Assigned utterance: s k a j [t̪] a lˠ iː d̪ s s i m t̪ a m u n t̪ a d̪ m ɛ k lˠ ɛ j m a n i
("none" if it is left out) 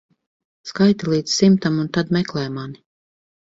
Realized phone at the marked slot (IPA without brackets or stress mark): t̪